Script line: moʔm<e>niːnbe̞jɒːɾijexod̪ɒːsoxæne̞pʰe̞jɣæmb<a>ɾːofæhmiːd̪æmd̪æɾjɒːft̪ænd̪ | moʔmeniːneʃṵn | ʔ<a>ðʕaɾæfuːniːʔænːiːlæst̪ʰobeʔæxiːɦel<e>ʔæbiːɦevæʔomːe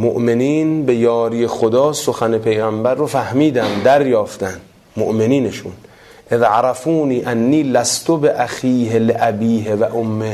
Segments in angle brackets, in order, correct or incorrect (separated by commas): correct, incorrect, incorrect, correct